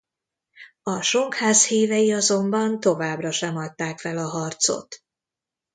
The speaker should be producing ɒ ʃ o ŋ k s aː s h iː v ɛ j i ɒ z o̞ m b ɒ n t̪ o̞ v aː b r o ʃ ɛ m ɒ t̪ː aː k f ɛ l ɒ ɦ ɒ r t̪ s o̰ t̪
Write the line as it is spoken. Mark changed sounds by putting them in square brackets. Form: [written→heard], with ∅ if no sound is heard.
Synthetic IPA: ɒ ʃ o ŋ k [s→h] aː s h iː v ɛ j i ɒ z o̞ m b ɒ n t̪ o̞ v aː b r [o→ɒ] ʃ ɛ m ɒ t̪ː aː k f ɛ l ɒ ɦ ɒ r t̪ s o̰ t̪